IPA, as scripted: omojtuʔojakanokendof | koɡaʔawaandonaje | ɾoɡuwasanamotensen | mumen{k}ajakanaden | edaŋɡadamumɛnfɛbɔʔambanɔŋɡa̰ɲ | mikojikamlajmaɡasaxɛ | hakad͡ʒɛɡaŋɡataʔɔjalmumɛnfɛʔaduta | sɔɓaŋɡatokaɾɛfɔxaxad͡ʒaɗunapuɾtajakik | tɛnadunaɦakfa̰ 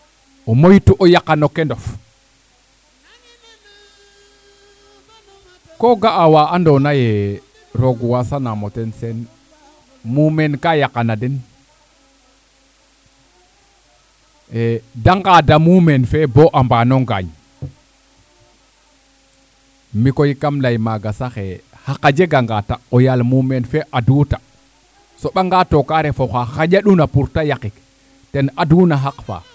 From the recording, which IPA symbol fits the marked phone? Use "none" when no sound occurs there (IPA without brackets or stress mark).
k